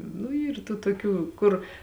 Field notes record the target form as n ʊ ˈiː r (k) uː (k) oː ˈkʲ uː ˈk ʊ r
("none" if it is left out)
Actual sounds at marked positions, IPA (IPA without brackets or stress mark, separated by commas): t, t